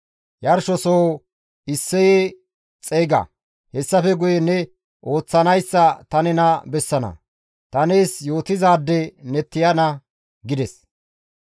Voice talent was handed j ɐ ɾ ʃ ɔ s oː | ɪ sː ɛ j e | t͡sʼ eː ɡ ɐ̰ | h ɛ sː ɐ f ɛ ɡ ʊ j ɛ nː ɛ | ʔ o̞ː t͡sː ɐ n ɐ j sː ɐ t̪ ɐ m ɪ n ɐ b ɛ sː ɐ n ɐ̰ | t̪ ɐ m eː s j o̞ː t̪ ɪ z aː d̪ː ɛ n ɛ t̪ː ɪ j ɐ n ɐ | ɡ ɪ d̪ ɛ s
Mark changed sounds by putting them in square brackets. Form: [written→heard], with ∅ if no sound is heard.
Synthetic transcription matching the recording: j ɐ ɾ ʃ ɔ s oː | ɪ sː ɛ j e | t͡sʼ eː ɡ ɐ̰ | h ɛ sː ɐ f ɛ ɡ ʊ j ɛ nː ɛ | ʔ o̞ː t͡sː ɐ n ɐ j sː ɐ t̪ ɐ [m→n] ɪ n ɐ b ɛ sː ɐ n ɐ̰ | t̪ ɐ [m→n] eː s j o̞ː t̪ ɪ z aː d̪ː ɛ n ɛ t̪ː ɪ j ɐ n ɐ | ɡ ɪ d̪ ɛ s